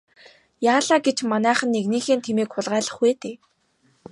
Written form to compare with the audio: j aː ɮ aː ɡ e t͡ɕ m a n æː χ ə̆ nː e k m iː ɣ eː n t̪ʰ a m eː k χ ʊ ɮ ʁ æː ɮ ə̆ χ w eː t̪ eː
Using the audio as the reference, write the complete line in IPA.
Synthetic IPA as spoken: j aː ɮ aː ɡ e t͡ɕ m a n æː χ ə̆ nː e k n iː x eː n t̪ʰ e m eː k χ ʊ ɮ ʁ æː ɮ ə̆ χ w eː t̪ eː